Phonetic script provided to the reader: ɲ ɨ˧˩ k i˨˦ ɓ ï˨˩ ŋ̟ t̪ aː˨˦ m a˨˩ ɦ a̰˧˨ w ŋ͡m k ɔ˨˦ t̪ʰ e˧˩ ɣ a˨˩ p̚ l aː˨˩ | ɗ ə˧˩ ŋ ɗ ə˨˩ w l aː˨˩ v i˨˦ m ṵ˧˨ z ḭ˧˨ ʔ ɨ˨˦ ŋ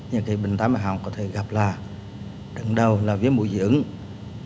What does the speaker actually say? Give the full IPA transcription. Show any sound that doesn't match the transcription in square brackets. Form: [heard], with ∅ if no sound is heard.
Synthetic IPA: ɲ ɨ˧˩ k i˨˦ ɓ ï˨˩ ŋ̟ t̪ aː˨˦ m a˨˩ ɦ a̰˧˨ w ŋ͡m k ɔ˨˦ t̪ʰ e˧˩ ɣ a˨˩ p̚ l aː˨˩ | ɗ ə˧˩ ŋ ɗ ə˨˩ w l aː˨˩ v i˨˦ m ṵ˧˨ z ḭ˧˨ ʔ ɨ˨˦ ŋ